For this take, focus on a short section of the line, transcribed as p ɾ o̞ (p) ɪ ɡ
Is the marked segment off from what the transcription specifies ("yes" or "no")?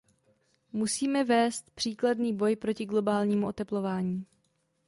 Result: yes